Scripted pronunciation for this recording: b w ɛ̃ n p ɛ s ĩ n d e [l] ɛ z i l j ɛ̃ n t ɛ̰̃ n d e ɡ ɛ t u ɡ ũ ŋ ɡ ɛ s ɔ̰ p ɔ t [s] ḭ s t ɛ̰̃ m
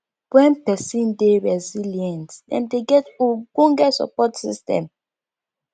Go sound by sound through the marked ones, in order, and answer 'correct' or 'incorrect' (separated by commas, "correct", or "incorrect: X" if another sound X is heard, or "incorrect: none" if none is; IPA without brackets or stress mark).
incorrect: ɹ, correct